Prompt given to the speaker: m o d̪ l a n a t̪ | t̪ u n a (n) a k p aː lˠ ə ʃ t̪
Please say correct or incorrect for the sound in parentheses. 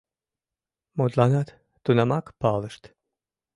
incorrect